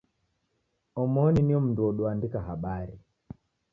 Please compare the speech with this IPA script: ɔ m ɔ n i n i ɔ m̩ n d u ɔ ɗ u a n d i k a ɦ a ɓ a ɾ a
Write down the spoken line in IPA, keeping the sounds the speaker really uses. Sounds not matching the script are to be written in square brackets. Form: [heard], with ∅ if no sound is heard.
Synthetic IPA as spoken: ɔ m ɔ n i n i ɔ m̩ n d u ɔ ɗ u a n d i k a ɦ a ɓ a ɾ [i]